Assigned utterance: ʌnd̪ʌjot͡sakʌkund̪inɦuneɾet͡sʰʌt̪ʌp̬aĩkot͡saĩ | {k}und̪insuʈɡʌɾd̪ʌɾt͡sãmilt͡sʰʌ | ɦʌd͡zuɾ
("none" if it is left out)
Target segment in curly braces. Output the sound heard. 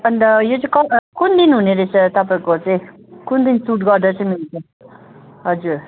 k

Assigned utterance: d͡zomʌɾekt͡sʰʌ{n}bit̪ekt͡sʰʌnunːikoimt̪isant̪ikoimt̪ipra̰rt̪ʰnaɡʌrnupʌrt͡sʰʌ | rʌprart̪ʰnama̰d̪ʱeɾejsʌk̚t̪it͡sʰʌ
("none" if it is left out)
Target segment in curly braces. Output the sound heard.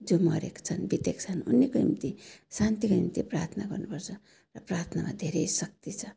n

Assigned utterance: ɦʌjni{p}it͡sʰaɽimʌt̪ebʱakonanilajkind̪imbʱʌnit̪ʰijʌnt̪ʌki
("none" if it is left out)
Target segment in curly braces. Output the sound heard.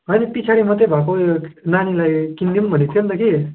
p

